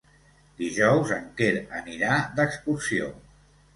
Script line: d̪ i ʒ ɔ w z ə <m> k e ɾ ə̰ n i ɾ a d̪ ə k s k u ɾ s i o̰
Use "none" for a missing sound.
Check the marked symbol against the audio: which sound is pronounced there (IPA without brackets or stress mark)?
ŋ